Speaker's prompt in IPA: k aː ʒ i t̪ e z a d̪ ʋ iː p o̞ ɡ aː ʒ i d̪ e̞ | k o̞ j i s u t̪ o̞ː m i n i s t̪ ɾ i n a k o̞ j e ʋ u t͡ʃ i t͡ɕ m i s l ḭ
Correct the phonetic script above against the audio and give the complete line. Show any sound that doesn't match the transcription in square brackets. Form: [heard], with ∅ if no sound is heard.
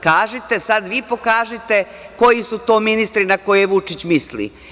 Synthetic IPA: k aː ʒ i t̪ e [s] a d̪ ʋ iː p o̞ [k] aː ʒ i [t̪] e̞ | k o̞ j i s u t̪ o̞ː m i n i s t̪ ɾ i n a k o̞ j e ʋ u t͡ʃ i t͡ɕ m i s l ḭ